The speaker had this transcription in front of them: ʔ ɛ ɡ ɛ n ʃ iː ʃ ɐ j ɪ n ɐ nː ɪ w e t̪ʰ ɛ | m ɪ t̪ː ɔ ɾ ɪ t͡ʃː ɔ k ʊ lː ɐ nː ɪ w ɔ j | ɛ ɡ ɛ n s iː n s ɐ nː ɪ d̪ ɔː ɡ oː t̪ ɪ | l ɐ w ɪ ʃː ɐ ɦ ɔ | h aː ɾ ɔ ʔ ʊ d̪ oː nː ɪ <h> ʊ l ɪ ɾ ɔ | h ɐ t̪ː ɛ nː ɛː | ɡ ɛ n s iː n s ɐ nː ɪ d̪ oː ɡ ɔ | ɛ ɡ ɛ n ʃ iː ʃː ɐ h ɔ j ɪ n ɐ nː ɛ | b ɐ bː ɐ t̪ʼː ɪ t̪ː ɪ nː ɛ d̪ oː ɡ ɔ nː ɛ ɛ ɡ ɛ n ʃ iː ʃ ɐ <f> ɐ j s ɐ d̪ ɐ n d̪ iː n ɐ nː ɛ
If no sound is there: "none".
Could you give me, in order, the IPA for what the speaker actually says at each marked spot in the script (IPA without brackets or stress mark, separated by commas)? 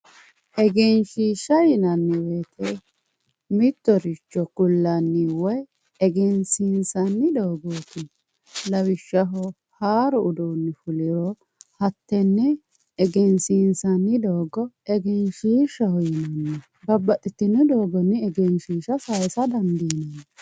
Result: f, s